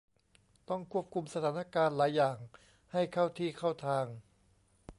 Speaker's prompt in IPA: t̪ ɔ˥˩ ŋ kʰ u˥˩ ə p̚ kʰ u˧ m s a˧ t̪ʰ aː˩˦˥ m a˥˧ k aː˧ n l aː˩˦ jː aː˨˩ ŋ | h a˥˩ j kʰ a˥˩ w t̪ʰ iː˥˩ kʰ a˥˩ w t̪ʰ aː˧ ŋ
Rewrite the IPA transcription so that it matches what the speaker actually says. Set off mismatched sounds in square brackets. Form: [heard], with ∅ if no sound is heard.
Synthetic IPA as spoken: t̪ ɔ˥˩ ŋ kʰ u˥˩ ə p̚ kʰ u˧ m s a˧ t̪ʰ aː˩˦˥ [n] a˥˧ k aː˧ n l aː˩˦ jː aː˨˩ ŋ | h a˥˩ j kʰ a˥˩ w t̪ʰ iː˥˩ kʰ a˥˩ w t̪ʰ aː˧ ŋ